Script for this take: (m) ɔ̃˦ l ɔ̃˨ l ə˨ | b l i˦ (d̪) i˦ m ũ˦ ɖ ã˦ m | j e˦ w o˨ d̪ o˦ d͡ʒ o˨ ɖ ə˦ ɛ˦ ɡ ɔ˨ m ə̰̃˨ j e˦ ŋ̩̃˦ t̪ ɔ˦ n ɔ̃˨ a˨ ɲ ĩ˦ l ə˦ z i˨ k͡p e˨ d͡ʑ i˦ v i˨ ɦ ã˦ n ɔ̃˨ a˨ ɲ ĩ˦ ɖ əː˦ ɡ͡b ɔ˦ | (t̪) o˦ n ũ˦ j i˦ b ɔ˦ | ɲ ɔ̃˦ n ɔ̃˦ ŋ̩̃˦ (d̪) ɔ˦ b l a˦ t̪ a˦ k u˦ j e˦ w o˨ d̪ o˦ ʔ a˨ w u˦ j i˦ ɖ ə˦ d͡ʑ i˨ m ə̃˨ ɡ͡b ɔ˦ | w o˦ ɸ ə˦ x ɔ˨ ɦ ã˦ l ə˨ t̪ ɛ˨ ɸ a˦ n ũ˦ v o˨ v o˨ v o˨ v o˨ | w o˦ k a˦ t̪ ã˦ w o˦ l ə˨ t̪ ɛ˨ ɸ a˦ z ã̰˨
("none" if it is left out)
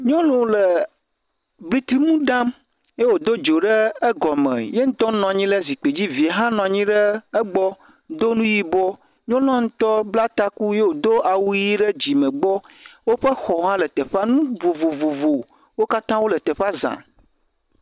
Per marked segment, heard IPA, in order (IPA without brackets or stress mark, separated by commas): ɲ, t̪, d̪, t̪